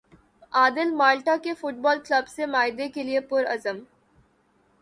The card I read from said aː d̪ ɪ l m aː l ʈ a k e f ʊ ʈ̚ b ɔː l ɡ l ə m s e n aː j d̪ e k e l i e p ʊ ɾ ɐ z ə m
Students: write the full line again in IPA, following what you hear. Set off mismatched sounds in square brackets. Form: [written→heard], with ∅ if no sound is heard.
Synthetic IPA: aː d̪ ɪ l m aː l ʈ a k e f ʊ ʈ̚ b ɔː l [ɡ→k] l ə [m→b] s e [n→m] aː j d̪ e k e l i e p ʊ ɾ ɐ z ə m